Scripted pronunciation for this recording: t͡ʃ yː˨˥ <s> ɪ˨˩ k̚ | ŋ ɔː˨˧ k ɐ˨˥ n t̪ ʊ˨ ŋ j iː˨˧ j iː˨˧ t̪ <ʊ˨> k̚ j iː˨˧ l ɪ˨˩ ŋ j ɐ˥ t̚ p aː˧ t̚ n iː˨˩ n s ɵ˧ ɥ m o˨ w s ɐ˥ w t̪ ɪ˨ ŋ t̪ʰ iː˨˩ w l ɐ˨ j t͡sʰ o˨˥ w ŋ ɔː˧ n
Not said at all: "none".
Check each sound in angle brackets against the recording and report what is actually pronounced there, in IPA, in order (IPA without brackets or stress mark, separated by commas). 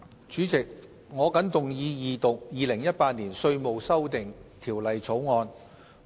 t͡s, ʊ˨